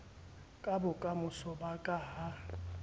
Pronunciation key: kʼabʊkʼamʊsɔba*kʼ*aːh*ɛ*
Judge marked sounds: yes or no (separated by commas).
yes, no